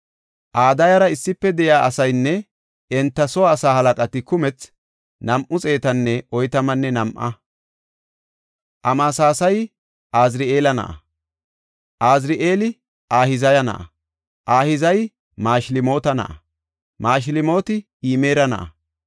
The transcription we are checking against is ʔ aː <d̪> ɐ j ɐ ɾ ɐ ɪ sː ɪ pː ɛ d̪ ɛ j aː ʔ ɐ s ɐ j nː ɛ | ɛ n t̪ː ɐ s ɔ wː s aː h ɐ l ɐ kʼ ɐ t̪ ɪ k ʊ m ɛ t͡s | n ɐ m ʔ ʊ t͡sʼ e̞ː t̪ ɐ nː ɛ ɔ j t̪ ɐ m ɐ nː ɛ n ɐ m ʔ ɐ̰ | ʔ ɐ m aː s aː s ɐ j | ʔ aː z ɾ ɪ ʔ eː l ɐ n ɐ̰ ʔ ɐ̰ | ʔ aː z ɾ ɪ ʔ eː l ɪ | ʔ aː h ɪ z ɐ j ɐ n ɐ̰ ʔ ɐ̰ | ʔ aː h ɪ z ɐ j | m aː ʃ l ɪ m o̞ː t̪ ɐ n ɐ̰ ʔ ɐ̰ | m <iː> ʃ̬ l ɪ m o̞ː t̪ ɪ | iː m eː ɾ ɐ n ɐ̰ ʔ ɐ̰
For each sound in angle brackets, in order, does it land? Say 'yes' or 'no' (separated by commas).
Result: yes, no